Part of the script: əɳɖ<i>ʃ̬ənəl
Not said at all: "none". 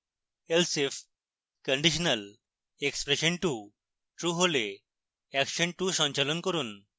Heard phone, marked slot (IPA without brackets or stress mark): i